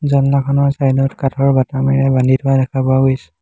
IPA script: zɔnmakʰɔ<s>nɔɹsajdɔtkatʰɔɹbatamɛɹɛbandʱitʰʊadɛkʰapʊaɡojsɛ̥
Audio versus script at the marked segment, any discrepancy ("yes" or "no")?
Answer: yes